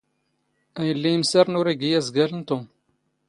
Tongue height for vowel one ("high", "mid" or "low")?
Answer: low